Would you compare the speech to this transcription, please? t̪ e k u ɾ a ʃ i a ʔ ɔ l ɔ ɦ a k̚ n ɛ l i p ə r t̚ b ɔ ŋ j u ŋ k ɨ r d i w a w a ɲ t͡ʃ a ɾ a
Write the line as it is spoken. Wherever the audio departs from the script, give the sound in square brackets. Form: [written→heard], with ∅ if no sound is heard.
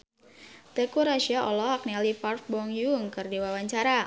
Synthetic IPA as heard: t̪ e k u ɾ a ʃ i a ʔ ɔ l ɔ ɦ a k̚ n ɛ l i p [ə→a] r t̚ b ɔ ŋ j u ŋ k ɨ r d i w a w a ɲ t͡ʃ a ɾ a